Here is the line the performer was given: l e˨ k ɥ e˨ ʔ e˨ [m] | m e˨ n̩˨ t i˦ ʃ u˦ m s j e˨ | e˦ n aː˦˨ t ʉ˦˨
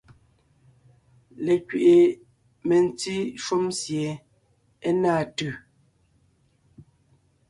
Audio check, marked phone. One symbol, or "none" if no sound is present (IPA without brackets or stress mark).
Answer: none